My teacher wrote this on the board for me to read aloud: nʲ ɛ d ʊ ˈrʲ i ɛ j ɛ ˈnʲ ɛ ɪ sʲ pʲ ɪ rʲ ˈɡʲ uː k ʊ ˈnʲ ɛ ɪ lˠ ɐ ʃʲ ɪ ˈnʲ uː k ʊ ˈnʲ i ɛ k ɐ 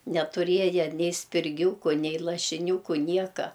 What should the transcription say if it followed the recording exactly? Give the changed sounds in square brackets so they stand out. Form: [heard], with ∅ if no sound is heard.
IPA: nʲ ɛ [t] ʊ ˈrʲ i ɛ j ɛ ˈnʲ ɛ ɪ sʲ pʲ ɪ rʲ ˈɡʲ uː k ʊ ˈnʲ ɛ ɪ lˠ ɐ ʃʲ ɪ ˈnʲ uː k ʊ ˈnʲ i ɛ k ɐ